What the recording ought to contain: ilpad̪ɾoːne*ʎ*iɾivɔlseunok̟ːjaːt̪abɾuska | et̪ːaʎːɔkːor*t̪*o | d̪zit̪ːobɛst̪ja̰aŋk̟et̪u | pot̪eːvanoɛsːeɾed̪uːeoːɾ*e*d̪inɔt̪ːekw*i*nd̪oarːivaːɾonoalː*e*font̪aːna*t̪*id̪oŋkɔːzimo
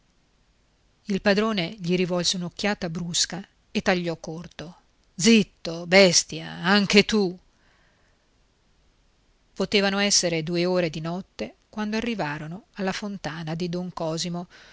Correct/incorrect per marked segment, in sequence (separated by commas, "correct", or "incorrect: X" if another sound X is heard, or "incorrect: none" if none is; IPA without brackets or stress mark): correct, correct, correct, incorrect: a, incorrect: a, incorrect: d̪